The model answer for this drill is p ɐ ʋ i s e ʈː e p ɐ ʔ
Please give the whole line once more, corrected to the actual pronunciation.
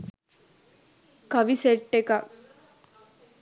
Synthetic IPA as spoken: k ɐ ʋ i s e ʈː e k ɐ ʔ